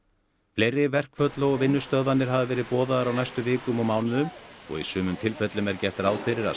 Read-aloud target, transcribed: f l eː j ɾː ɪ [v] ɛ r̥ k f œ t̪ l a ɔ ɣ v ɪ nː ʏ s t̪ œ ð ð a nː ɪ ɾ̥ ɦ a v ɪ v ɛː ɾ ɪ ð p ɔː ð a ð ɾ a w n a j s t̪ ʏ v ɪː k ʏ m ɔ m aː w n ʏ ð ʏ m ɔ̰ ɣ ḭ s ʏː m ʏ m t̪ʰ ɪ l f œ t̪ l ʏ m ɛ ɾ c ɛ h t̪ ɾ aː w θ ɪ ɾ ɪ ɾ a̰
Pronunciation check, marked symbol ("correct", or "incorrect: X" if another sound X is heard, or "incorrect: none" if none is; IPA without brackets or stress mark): correct